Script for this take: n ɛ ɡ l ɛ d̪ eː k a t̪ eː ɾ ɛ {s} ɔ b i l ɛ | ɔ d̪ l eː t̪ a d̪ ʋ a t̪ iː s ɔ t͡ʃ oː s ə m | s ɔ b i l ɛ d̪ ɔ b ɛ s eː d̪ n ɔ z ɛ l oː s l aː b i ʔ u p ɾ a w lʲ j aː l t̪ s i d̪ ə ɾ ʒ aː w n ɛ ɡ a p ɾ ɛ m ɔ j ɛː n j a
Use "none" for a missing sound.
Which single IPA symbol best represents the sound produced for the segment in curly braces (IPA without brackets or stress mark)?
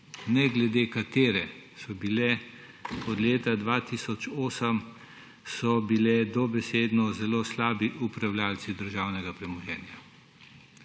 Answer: s